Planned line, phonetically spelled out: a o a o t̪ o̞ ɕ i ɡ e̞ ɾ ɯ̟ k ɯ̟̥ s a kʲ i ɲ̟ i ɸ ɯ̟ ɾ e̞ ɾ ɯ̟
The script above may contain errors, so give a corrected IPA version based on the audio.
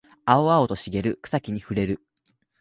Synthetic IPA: a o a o t̪ o̞ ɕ i ɡ e̞ ɾ ɯ̟ k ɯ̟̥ s a kʲ i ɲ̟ i ɸ ɯ̟ ɾ e̞ ɾ ɯ̟